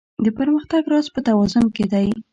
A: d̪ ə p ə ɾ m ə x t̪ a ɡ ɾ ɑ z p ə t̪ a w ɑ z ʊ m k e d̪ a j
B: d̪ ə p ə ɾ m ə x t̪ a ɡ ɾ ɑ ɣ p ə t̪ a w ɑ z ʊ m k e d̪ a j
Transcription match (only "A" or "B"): A